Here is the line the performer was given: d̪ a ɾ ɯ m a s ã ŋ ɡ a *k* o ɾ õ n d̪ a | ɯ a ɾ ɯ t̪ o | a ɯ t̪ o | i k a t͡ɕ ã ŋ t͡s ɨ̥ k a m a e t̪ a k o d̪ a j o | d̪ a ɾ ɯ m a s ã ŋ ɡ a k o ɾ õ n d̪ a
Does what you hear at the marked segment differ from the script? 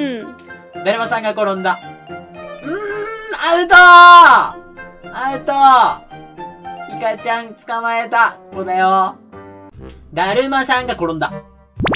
no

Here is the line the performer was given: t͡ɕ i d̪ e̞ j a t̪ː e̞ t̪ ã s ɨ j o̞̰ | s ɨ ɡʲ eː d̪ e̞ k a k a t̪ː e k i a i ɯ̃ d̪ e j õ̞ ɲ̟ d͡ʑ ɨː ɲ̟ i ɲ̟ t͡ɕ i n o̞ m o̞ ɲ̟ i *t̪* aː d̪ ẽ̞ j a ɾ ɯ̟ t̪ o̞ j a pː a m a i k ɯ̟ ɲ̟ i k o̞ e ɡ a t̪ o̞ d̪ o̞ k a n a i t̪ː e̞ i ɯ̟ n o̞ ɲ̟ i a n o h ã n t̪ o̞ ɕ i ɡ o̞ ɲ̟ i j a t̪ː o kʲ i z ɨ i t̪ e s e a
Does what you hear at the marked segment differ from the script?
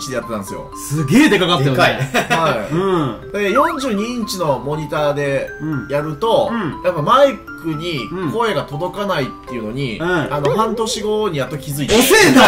no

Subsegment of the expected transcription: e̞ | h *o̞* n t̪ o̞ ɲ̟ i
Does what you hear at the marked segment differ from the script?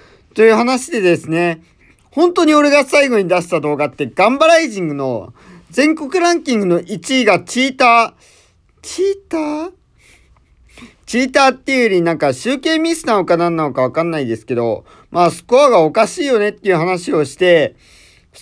yes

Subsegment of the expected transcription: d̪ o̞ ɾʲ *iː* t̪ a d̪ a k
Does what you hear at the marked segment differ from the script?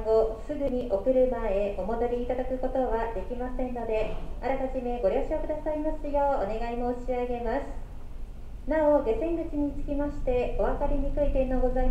no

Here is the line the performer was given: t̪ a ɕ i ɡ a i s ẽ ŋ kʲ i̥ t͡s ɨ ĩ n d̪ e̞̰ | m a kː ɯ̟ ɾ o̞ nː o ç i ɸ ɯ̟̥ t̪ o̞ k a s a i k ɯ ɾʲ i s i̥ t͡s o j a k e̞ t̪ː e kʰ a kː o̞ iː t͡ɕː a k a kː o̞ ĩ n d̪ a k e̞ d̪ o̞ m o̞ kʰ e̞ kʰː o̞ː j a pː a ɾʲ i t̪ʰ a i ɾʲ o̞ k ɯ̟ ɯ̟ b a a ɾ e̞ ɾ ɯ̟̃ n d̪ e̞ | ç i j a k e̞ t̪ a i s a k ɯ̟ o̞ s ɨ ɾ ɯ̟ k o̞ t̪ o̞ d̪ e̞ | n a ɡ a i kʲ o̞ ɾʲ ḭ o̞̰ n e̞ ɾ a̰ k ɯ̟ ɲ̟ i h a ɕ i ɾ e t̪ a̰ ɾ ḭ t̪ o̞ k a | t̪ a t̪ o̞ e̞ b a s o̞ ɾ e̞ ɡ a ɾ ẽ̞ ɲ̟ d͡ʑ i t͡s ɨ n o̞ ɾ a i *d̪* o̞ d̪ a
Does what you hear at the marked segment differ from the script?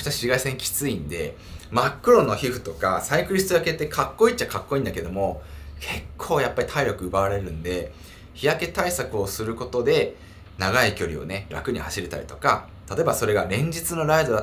no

